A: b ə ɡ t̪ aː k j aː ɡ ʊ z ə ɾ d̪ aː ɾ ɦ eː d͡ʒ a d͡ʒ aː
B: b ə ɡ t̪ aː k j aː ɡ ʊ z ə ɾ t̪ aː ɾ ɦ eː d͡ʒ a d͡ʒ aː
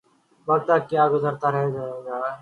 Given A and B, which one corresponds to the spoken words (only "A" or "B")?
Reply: B